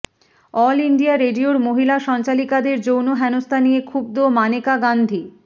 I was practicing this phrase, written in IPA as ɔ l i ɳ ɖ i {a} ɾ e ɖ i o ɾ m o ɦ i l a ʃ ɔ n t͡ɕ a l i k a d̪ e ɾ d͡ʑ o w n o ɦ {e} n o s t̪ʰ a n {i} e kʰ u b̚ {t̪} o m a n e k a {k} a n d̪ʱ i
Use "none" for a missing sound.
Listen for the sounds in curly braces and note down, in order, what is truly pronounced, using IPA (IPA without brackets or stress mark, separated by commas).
a, ɛ, i, d̪, ɡ